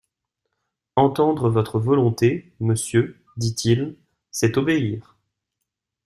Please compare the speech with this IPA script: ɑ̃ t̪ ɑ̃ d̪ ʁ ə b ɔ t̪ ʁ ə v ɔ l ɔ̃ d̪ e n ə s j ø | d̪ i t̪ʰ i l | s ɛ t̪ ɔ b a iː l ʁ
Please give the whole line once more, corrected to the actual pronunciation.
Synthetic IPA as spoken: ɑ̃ t̪ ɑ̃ d̪ ʁ ə v ɔ t̪ χ ə v ɔ l ɔ̃ t̪ e m ə s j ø | d̪ i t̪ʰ i l | s ɛ t̪ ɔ b e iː ʁ